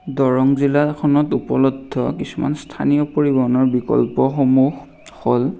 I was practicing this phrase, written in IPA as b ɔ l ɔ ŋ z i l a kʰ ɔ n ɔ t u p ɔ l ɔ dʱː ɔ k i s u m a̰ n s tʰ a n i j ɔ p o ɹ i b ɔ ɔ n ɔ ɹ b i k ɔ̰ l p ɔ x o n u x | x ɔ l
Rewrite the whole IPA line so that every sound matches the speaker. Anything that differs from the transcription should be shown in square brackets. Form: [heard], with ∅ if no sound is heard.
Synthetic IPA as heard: [d] ɔ [ɹ] ɔ ŋ z i l a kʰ ɔ n ɔ t u p ɔ l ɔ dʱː ɔ k i s u m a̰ n s tʰ a n i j ɔ p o ɹ i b ɔ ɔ n ɔ ɹ b i k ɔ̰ l p ɔ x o [m] u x | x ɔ l